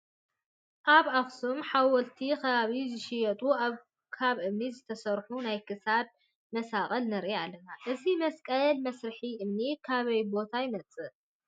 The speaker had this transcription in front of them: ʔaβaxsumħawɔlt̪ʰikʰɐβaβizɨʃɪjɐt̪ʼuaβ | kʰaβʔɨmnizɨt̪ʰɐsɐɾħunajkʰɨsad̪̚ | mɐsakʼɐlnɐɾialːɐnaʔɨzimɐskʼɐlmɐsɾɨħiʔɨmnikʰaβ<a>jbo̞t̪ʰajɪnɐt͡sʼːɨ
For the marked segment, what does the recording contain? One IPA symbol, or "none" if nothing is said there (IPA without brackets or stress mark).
ɐ